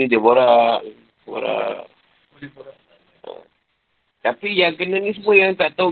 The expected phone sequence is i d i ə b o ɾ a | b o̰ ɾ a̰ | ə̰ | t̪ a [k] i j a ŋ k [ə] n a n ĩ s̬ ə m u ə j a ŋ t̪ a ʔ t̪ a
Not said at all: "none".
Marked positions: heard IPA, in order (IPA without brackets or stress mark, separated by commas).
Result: p, ə